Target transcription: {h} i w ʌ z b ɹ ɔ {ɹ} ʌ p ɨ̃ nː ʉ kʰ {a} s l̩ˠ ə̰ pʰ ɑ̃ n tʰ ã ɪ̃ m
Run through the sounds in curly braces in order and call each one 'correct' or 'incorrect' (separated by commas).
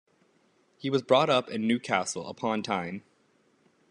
correct, incorrect, incorrect